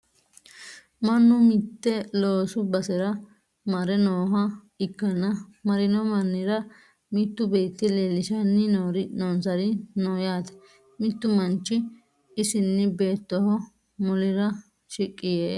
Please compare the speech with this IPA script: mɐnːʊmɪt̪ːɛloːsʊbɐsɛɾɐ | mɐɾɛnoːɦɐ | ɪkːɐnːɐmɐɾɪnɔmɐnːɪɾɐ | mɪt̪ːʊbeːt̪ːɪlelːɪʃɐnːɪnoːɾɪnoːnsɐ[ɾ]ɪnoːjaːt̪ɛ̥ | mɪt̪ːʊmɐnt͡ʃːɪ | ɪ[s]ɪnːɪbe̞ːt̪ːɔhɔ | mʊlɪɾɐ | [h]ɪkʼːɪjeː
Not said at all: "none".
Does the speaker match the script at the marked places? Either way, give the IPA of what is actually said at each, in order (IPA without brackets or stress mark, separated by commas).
ɾ, s, ʃ